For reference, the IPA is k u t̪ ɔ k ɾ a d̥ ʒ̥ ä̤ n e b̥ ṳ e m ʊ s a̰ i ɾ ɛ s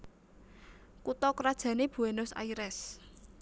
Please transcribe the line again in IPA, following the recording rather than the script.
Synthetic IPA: k u t̪ ɔ k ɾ a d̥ ʒ̥ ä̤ n e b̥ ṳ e n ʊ s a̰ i ɾ ɛ s